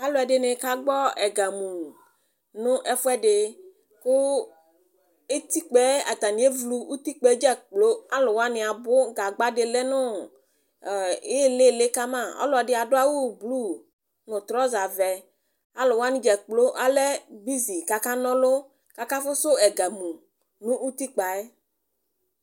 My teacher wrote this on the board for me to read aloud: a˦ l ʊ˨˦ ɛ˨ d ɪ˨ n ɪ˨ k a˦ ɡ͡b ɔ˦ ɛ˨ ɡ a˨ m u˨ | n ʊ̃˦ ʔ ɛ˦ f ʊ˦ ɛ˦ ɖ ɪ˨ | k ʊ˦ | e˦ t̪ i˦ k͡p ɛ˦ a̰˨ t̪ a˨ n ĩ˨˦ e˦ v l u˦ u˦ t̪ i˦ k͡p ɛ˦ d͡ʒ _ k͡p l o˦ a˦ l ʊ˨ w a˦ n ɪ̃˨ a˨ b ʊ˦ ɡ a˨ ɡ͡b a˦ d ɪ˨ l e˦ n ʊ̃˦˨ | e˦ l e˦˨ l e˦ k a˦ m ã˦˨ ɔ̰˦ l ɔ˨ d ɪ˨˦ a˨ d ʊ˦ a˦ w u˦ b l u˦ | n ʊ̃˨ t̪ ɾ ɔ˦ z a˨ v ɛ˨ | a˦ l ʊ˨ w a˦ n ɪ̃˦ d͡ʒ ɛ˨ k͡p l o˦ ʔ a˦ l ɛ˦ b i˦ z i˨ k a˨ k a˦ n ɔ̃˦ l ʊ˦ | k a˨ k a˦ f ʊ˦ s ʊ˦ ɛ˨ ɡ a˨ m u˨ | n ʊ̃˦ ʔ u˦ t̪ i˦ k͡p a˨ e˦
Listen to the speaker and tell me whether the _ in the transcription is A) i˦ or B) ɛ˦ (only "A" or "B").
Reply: B